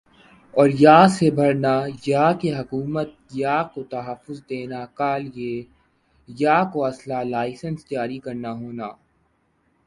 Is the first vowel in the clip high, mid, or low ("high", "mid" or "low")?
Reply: mid